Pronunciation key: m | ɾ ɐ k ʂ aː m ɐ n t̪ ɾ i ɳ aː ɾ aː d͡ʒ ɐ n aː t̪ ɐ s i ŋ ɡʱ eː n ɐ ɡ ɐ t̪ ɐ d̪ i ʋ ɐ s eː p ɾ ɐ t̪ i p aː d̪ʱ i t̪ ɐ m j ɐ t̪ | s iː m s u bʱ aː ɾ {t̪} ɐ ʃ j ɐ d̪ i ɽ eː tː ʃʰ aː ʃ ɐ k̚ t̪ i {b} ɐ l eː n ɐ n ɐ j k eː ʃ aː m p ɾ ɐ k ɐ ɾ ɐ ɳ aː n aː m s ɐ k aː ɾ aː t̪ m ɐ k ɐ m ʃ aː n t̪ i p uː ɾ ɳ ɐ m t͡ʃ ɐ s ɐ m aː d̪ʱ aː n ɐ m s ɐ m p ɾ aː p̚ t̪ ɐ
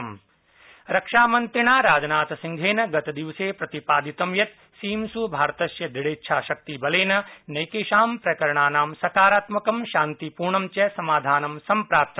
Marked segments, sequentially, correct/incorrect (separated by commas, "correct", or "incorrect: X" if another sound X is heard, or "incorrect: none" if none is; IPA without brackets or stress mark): correct, correct